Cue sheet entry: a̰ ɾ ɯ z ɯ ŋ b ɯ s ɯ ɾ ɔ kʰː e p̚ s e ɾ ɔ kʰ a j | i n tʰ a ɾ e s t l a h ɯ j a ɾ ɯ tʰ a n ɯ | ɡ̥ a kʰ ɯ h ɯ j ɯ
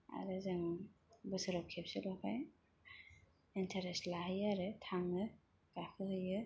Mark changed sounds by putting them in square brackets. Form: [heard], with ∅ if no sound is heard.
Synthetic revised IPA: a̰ ɾ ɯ z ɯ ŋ b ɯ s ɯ ɾ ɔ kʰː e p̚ s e [l] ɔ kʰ a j | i n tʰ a ɾ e s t l a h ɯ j a ɾ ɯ tʰ a [ŋ] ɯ | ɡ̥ a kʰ ɯ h ɯ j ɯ